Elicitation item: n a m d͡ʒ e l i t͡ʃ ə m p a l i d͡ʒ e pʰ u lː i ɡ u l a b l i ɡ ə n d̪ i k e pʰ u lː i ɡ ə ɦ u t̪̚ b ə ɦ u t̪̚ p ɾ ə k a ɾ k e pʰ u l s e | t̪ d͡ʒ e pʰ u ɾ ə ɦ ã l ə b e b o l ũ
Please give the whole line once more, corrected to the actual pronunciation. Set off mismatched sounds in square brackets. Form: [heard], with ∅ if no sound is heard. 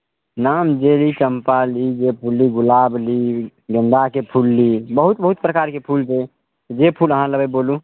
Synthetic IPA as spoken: n a m d͡ʒ e l i t͡ʃ ə m p a l i d͡ʒ e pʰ u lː i ɡ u l a b l i ɡ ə n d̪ [a] k e pʰ u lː i [b] ə ɦ u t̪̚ b ə ɦ u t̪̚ p ɾ ə k a ɾ k e pʰ u l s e | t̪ d͡ʒ e pʰ u [l] ə ɦ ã l ə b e b o l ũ

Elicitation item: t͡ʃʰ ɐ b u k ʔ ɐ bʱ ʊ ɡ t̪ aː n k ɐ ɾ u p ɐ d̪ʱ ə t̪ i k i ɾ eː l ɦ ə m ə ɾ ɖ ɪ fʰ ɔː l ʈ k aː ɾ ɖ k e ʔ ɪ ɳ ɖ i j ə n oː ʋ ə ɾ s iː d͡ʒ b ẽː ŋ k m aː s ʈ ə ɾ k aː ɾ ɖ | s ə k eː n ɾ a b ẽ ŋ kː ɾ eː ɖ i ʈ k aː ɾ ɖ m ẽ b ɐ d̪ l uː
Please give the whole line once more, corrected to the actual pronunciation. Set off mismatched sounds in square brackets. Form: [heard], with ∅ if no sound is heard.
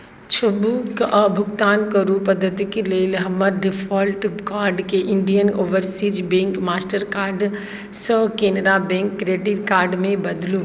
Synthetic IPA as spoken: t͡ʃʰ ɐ b u k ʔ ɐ bʱ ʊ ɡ t̪ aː n k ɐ ɾ u p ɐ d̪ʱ ə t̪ i k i [l] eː l ɦ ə m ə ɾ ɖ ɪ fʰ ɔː l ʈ k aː ɾ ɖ k e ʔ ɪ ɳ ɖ i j ə n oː ʋ ə ɾ s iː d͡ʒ b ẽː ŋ k m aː s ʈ ə ɾ k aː ɾ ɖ | s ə k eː n ɾ a b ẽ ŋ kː ɾ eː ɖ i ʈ k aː ɾ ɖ m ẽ b ɐ d̪ l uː

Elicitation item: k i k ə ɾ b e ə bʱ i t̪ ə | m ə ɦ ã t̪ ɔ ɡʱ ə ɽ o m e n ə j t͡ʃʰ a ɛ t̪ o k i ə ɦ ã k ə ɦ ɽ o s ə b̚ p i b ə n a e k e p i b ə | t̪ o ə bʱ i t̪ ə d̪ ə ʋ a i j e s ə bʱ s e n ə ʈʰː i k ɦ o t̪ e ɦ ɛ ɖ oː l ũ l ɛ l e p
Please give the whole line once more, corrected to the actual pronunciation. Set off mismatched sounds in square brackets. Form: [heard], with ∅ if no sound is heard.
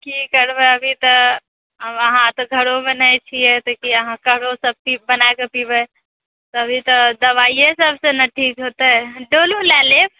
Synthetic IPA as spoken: k i k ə ɾ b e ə bʱ i t̪ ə | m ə ɦ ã t̪ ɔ ɡʱ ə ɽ o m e n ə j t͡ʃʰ [i] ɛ t̪ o k i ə ɦ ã k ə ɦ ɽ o s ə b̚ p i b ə n a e k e p i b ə | t̪ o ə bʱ i t̪ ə d̪ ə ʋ a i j e s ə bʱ s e n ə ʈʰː i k ɦ o t̪ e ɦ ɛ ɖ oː l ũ l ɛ l e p

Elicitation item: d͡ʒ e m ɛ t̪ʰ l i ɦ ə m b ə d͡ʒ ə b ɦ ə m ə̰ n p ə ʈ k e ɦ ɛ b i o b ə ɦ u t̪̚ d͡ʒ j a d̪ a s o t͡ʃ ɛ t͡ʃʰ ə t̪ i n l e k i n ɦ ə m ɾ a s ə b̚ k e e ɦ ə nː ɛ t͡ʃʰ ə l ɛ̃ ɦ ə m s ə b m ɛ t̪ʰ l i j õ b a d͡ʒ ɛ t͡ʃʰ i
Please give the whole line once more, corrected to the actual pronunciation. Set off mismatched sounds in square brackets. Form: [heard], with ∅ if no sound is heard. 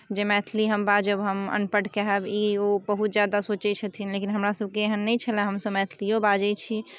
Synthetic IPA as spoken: d͡ʒ e m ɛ t̪ʰ l i ɦ ə m b [a] d͡ʒ ə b ɦ ə m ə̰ n p ə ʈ k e ɦ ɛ b i o b ə ɦ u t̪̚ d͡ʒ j a d̪ a s o t͡ʃ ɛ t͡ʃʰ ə [t̪ʰ] i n l e k i n ɦ ə m ɾ a s ə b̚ k e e ɦ ə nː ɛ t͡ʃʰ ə l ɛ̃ ɦ ə m s ə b m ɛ t̪ʰ l i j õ b a d͡ʒ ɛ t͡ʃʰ i

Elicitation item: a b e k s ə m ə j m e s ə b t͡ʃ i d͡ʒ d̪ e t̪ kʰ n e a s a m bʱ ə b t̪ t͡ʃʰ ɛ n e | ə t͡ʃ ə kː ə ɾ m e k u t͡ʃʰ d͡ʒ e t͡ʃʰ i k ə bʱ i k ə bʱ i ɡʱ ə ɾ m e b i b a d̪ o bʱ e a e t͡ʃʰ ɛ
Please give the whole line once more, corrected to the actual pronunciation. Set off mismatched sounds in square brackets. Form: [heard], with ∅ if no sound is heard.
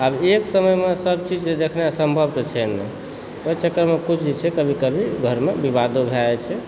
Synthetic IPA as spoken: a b e k s ə m ə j m e s ə b t͡ʃ i d͡ʒ d̪ e [∅] kʰ n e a s [ə] m bʱ ə b t̪ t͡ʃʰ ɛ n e | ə t͡ʃ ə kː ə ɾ m e k u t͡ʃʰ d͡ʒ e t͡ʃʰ [ɛ] k ə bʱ i k ə bʱ i ɡʱ ə ɾ m e b i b a d̪ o bʱ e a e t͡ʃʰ ɛ

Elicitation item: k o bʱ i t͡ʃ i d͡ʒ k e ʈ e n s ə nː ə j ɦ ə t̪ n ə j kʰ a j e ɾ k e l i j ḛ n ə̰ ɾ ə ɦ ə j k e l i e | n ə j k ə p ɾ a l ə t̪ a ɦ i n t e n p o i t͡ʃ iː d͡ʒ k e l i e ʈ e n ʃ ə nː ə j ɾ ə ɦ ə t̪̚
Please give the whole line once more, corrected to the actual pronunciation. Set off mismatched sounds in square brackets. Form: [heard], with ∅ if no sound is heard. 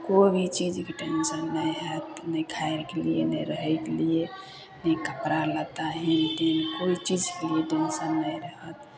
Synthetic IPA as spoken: k o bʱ i t͡ʃ i d͡ʒ k e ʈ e n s ə nː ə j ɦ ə t̪ n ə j kʰ a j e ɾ k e l i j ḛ n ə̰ ɾ ə ɦ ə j k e l i e | n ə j k ə p ɾ a l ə t̪ a ɦ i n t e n [k] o i t͡ʃ [i] d͡ʒ k e l i e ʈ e n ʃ ə nː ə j ɾ ə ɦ ə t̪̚

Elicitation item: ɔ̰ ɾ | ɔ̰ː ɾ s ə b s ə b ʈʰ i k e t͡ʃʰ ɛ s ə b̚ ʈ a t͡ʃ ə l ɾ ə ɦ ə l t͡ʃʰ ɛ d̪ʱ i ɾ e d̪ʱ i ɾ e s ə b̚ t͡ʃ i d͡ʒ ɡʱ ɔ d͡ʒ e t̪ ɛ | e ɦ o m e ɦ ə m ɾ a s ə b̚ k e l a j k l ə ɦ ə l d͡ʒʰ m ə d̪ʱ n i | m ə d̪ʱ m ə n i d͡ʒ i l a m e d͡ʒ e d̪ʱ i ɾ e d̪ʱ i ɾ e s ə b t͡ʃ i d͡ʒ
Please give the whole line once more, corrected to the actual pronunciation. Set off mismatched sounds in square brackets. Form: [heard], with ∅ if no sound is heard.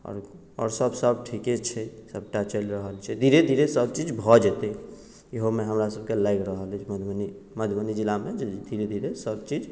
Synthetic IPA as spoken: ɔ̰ ɾ | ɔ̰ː ɾ s ə b s ə b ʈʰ i k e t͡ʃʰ ɛ s ə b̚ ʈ a t͡ʃ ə l ɾ ə ɦ ə l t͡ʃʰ ɛ d̪ʱ i ɾ e d̪ʱ i ɾ e s ə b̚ t͡ʃ i d͡ʒ [bʱ] ɔ d͡ʒ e t̪ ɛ | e ɦ o m e ɦ ə m ɾ a s ə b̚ k e l a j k [ɾ] ə ɦ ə l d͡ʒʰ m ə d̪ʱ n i | m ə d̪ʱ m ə n i d͡ʒ i l a m e d͡ʒ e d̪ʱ i ɾ e d̪ʱ i ɾ e s ə b t͡ʃ i d͡ʒ

